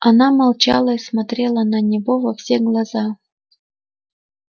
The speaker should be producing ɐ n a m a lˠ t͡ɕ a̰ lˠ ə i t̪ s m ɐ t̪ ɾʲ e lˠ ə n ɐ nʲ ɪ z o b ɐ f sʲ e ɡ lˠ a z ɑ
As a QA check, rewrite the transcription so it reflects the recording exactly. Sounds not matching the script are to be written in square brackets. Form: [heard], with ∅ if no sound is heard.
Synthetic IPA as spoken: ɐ n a m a lˠ t͡ɕ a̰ lˠ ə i [∅] s m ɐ t̪ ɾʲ e lˠ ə n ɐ nʲ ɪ [v] o [v] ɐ f sʲ e ɡ lˠ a z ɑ